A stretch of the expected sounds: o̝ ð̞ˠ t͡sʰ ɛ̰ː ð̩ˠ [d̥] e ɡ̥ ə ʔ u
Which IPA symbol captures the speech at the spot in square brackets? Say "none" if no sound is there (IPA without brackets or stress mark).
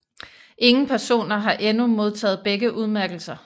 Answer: b̥